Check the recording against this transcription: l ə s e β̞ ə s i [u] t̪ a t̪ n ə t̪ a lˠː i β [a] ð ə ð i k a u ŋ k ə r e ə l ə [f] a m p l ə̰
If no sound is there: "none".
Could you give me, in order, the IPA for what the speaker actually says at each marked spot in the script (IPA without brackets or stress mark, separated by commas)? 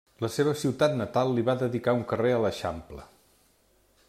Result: w, a, ʃ